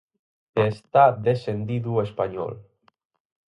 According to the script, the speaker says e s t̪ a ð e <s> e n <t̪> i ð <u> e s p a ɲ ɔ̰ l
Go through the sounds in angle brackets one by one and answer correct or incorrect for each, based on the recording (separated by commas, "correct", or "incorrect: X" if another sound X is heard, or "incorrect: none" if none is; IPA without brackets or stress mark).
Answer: correct, incorrect: d̪, correct